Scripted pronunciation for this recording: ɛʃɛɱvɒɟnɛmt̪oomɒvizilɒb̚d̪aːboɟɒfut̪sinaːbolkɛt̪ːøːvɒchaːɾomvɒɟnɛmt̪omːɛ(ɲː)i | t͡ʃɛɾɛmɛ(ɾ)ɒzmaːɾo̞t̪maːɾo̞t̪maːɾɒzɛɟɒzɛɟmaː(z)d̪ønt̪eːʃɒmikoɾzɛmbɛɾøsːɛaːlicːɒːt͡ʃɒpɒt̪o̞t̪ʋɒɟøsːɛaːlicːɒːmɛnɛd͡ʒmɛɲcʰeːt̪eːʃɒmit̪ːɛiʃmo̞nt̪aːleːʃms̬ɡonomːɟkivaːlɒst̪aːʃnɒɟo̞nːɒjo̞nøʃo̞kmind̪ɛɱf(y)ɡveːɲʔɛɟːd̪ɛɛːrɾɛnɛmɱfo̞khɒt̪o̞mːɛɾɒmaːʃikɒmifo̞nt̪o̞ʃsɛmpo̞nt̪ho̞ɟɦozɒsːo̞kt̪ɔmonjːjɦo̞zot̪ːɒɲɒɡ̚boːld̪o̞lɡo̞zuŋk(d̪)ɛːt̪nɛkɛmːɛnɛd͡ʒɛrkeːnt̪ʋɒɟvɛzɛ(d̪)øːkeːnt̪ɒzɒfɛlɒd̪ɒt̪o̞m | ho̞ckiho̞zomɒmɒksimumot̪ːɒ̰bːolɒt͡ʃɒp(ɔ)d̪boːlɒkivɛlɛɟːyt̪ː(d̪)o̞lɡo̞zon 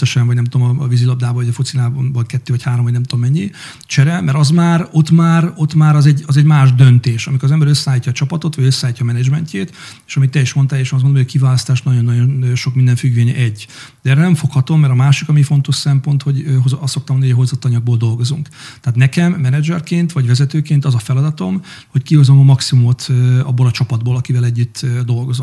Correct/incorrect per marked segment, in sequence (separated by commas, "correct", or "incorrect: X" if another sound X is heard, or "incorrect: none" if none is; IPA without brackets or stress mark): correct, correct, incorrect: ʒ, correct, incorrect: t̪, incorrect: t̪, incorrect: ɒ, correct